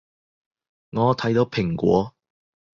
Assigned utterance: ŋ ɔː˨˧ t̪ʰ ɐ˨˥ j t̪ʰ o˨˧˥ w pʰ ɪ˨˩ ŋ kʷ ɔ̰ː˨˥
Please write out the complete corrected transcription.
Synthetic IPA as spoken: ŋ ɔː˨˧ t̪ʰ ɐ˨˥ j t̪ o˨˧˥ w pʰ ɪ˨˩ ŋ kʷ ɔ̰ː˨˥